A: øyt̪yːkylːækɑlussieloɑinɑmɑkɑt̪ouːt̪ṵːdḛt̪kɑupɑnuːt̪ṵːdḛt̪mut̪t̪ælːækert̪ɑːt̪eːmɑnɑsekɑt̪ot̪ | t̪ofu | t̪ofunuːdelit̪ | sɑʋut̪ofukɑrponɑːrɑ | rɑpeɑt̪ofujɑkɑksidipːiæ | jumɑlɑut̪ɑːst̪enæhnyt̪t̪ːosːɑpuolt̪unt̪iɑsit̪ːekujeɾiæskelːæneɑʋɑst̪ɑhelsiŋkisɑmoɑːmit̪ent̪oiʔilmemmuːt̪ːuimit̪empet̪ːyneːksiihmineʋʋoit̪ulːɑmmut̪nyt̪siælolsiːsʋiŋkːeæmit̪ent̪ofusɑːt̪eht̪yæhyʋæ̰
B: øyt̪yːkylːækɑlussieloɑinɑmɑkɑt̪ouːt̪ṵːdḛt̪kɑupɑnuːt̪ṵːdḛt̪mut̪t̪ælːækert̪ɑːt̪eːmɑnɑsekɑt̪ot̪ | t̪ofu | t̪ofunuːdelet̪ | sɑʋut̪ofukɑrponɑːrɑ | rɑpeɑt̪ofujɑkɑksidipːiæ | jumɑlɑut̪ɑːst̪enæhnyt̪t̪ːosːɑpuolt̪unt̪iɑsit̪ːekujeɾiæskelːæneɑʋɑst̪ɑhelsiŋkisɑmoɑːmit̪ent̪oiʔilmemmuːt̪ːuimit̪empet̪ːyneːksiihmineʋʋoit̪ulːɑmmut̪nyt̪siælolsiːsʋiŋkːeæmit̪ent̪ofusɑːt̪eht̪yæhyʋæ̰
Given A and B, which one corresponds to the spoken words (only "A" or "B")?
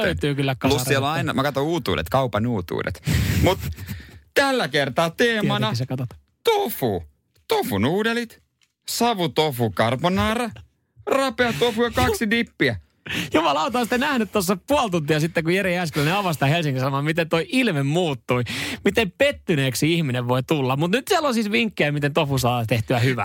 A